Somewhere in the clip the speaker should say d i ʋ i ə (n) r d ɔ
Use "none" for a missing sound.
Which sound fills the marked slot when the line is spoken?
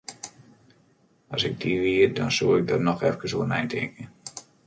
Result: none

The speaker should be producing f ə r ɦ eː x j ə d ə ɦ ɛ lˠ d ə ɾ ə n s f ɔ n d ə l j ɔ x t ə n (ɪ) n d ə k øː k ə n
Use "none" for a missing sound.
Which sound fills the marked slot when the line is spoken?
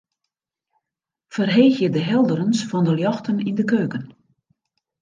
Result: i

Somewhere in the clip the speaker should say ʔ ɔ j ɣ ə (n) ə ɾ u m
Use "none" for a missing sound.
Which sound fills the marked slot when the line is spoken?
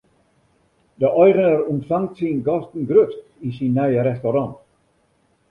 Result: n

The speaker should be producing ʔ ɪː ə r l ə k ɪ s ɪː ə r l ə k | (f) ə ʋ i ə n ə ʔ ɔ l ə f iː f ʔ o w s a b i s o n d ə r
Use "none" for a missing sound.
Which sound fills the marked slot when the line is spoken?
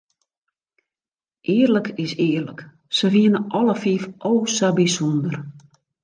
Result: s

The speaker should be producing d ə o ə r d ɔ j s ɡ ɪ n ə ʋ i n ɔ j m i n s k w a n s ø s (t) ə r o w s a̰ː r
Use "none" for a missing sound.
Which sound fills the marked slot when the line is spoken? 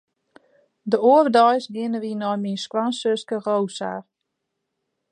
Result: k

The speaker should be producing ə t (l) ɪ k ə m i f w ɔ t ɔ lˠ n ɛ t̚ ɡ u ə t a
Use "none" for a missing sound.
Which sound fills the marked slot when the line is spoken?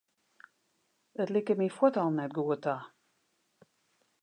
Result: l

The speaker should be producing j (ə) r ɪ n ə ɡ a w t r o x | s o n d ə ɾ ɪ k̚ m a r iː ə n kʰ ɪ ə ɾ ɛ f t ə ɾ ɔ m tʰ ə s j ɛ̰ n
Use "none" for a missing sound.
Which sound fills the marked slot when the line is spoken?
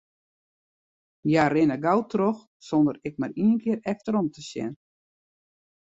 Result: a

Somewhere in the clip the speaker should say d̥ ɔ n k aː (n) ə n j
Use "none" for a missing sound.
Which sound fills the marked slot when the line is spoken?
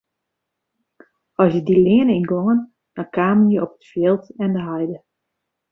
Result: m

